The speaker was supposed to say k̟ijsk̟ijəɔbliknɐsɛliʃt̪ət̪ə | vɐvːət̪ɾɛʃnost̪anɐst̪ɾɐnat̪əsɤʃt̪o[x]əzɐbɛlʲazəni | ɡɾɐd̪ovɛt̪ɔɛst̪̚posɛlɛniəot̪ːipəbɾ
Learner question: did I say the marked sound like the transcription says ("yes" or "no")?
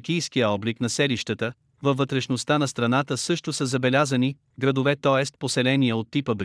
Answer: no